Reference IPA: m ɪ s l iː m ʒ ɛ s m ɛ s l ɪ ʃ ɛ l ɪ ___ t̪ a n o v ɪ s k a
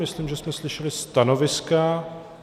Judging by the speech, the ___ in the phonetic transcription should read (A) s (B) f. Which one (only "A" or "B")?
A